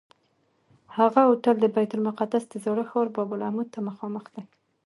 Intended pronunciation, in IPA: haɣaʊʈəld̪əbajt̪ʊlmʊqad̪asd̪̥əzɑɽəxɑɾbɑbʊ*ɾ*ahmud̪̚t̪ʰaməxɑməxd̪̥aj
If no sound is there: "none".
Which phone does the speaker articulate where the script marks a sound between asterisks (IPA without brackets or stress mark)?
l